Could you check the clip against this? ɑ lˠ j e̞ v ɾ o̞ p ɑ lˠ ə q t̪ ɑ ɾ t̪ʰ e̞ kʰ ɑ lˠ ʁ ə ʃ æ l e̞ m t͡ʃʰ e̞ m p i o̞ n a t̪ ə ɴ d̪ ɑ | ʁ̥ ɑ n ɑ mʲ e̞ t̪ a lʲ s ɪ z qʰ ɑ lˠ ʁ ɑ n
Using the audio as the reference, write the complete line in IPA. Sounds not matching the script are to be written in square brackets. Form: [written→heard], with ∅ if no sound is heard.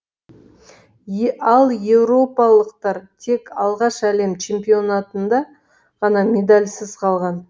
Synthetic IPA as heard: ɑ lˠ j e̞ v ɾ o̞ p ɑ lˠ ə q t̪ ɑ ɾ t̪ʰ e̞ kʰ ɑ lˠ ʁ [ə→ɑ] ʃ æ l e̞ m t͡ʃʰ e̞ m p i o̞ n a t̪ ə [ɴ→n] d̪ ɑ | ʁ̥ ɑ n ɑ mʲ e̞ [t̪→d̪] a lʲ s ɪ z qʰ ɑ lˠ ʁ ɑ n